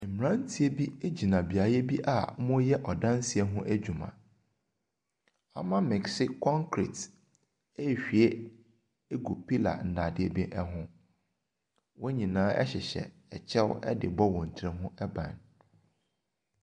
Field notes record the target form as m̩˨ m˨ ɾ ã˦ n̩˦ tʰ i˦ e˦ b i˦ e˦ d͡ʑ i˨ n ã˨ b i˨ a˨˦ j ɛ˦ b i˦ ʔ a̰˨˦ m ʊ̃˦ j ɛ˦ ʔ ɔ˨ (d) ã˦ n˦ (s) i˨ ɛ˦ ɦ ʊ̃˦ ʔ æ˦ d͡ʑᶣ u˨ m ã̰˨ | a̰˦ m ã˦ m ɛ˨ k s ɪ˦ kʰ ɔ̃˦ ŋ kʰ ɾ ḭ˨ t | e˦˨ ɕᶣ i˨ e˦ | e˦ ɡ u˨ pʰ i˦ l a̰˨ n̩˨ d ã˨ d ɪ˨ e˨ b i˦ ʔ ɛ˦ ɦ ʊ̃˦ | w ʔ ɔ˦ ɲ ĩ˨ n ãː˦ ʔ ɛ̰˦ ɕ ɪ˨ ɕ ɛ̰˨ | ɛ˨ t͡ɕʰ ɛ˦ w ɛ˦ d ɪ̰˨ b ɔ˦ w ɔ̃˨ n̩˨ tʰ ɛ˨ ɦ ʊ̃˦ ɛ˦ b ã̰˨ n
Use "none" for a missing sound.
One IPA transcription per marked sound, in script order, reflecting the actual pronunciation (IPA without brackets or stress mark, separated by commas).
d, s